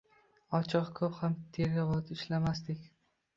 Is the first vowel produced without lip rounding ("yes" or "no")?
no